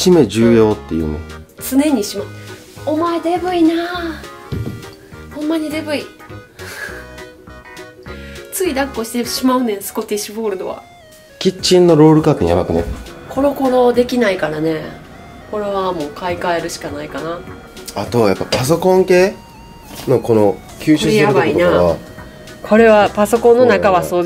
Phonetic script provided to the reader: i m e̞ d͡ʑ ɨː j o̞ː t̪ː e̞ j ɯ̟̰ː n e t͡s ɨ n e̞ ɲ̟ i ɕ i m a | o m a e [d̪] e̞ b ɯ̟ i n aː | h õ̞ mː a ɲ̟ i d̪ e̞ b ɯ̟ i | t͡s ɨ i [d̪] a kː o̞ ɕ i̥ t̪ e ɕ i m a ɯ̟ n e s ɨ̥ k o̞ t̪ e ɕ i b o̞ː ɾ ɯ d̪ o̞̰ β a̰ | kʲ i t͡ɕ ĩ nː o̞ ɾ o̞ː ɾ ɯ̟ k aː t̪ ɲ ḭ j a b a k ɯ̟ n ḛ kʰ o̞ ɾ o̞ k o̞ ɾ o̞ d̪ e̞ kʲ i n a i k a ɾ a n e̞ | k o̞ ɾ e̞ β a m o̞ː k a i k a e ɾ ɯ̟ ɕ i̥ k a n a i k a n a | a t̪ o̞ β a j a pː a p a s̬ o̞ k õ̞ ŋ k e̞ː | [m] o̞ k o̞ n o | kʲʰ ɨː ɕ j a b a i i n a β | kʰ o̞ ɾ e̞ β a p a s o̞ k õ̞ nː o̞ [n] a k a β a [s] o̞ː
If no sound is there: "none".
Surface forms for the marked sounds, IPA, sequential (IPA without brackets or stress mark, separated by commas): d̪, d̪, n, n, s